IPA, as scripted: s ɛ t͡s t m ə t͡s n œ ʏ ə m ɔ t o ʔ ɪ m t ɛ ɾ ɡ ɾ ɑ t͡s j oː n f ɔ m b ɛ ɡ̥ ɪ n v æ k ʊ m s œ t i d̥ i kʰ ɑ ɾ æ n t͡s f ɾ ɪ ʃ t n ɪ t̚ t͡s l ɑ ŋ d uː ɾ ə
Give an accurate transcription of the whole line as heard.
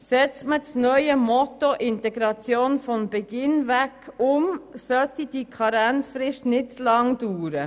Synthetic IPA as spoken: s ɛ t͡s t m ə t͡s n œ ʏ ə m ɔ t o ʔ ɪ n t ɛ ɡ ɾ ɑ t͡s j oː n f ɔ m b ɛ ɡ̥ ɪ n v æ k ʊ m s œ t i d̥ i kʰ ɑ ɾ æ n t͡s f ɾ ɪ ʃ t n ɪ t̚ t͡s l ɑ ŋ d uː ɾ ə